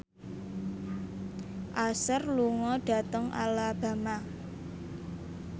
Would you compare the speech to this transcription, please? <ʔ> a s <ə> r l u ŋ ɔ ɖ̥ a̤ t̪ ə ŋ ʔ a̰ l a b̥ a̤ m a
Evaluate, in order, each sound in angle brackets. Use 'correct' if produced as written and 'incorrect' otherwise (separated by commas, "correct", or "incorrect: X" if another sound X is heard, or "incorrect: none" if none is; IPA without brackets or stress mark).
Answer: correct, correct